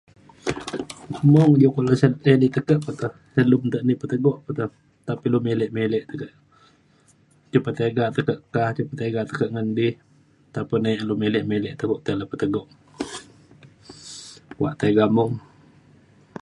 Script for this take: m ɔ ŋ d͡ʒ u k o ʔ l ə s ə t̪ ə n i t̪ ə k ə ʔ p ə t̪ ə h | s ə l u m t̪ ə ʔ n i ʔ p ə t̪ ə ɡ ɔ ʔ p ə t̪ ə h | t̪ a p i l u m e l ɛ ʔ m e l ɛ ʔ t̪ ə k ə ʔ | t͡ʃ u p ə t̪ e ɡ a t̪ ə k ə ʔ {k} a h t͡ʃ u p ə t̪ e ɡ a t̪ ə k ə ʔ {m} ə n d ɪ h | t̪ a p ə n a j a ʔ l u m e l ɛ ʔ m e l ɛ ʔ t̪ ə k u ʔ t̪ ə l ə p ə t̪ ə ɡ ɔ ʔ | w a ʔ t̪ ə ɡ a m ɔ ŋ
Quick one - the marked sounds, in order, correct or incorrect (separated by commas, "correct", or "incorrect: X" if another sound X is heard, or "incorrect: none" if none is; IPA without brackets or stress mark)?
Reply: correct, incorrect: ŋ